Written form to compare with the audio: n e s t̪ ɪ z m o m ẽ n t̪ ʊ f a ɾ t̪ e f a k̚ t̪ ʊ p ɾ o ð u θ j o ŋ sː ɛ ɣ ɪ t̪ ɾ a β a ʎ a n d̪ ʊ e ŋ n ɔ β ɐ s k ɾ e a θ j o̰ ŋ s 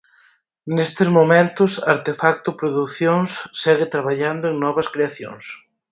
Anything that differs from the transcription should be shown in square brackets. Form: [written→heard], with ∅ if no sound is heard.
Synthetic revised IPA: n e s t̪ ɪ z m o m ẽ n t̪ ʊ [f→s] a ɾ t̪ e f a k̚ t̪ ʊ p ɾ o ð u θ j o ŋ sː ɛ ɣ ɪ t̪ ɾ a β a ʎ a n d̪ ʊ e ŋ n ɔ β ɐ s k ɾ e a θ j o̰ ŋ s